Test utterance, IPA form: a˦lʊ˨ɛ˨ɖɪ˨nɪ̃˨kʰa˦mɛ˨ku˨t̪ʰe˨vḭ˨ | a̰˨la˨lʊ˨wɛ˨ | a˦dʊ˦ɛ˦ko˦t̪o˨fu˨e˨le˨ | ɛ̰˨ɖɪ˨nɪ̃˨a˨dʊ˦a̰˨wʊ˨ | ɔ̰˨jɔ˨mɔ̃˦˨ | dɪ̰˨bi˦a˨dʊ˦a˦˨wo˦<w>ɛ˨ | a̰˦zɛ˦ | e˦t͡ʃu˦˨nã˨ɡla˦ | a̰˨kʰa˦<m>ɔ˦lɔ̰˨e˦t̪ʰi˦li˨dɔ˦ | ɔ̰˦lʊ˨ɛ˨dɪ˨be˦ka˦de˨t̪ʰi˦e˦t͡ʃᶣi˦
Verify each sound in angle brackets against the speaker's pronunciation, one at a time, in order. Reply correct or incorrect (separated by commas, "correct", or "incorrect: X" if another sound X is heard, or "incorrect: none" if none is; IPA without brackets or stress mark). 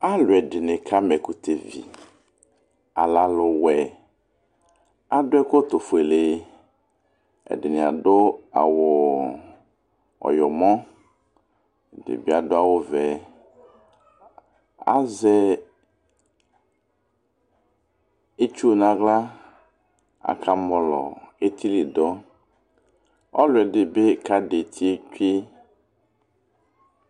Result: incorrect: v, correct